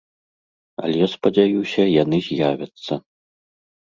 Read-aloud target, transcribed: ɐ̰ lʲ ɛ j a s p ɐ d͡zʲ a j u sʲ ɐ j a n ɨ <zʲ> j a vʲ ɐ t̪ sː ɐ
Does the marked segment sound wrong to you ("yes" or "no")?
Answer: no